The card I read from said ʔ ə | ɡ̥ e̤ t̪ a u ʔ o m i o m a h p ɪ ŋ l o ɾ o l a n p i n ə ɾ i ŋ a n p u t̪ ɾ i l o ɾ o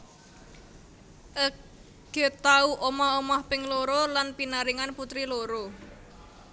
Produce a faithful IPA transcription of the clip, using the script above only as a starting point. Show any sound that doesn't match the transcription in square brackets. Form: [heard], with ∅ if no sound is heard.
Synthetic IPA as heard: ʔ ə | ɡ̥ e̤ t̪ a u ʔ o m [a] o m a h p ɪ ŋ l o ɾ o l a n p i n [a] ɾ i ŋ a n p u t̪ ɾ i l o ɾ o